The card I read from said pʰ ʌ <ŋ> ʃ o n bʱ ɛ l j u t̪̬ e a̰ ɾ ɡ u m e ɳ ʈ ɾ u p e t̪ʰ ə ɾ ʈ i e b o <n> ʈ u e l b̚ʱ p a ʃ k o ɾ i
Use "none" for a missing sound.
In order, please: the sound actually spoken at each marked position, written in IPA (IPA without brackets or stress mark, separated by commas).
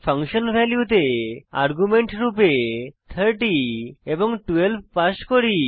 ŋ, ŋ